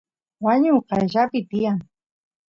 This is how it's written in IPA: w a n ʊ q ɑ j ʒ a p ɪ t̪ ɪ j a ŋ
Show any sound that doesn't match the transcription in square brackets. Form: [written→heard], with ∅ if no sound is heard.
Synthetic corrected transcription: w a [n→ɲ] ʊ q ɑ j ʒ a p ɪ t̪ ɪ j a ŋ